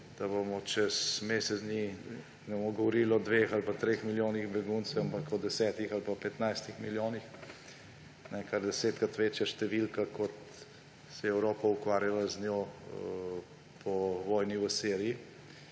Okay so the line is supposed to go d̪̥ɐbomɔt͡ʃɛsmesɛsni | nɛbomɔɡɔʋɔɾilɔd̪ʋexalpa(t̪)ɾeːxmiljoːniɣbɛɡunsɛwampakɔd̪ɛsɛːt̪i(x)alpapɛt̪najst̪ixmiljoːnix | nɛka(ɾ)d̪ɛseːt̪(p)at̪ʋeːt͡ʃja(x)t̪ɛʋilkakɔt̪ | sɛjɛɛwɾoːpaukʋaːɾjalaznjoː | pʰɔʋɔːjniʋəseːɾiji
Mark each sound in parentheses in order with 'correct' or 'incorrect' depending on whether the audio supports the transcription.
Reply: correct, correct, correct, incorrect, incorrect

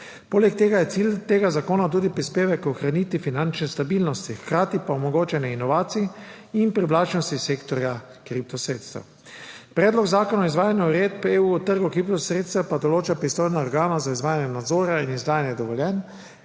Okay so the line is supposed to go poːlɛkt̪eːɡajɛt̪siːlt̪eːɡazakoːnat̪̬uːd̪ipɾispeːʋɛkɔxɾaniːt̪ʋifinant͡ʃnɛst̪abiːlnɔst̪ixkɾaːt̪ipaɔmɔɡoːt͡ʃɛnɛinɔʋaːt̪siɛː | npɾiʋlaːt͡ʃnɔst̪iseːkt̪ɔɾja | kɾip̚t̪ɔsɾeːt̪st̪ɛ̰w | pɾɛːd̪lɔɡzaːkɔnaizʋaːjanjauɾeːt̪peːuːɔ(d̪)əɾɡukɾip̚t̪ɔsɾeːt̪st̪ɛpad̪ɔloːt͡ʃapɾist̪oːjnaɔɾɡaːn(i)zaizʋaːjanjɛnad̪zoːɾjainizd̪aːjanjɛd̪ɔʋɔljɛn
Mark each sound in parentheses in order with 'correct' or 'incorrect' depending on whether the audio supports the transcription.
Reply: incorrect, incorrect

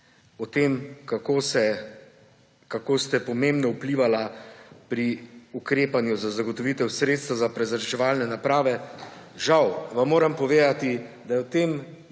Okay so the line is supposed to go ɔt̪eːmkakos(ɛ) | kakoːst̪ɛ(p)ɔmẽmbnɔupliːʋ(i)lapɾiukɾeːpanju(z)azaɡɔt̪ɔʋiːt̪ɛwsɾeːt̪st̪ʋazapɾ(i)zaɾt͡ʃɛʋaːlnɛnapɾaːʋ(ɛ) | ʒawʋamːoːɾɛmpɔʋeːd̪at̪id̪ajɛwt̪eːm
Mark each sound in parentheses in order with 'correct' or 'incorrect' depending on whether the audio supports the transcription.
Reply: correct, correct, incorrect, correct, incorrect, correct

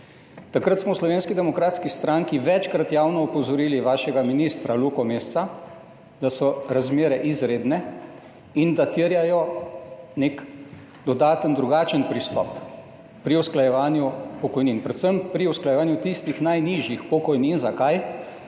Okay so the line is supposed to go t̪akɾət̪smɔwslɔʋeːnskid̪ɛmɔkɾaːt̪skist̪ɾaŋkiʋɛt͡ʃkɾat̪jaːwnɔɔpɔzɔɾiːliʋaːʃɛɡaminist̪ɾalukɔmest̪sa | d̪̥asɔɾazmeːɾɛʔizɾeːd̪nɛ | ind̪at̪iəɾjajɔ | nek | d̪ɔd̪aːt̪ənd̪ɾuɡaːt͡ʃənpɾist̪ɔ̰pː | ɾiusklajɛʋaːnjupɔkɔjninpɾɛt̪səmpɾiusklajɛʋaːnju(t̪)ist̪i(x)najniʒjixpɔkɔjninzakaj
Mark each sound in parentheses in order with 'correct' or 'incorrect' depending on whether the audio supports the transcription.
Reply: correct, correct

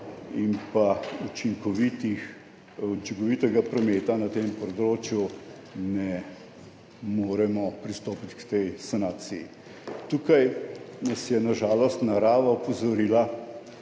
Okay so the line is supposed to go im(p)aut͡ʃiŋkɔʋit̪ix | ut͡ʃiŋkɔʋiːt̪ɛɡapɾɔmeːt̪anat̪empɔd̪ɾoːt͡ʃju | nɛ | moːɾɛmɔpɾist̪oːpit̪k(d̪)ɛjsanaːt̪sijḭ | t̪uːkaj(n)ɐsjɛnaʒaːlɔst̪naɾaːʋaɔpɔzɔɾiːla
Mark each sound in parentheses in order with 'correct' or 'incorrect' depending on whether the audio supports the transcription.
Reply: correct, incorrect, correct

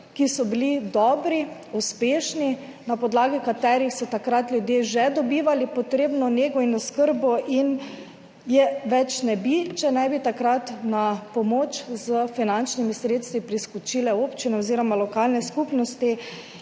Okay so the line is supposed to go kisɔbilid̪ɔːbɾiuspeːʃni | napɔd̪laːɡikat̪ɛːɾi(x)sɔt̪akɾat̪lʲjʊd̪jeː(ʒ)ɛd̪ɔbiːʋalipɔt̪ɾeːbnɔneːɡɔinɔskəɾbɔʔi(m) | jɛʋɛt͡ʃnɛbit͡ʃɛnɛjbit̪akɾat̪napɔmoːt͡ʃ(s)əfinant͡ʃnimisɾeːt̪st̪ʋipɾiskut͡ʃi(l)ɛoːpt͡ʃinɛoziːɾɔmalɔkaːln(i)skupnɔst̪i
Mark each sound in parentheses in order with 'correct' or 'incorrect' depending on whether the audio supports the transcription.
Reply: correct, correct, incorrect, incorrect, correct, incorrect

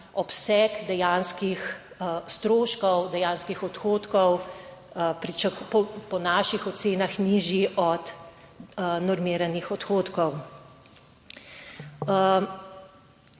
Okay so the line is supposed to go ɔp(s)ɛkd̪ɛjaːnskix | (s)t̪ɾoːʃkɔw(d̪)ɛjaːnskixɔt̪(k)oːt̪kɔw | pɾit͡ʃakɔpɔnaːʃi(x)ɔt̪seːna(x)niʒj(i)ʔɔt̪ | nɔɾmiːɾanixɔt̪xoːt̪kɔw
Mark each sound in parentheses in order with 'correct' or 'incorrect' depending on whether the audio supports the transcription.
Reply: correct, correct, correct, incorrect, correct, correct, correct

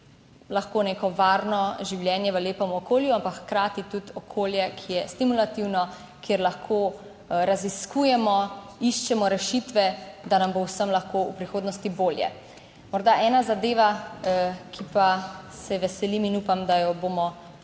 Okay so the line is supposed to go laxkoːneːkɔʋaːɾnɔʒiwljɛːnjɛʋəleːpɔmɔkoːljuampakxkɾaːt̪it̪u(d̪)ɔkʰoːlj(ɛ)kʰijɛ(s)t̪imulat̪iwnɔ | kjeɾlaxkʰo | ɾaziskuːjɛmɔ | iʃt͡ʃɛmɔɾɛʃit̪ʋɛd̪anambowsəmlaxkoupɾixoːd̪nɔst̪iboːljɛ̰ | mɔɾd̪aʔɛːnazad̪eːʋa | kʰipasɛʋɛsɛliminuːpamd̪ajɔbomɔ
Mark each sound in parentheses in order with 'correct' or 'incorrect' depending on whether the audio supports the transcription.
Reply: incorrect, correct, correct

